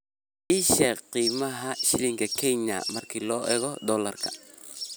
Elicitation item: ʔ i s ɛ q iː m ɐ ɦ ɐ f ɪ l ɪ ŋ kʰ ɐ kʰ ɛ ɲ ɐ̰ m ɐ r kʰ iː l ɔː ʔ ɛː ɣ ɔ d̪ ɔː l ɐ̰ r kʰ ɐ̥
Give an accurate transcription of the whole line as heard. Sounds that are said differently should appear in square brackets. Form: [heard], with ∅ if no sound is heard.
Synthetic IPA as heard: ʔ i [ʃ] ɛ q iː m ɐ ɦ ɐ [ʃ] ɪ l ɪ ŋ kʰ ɐ kʰ ɛ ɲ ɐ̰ m ɐ r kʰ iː l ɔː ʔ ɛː ɣ ɔ d̪ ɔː l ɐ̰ r kʰ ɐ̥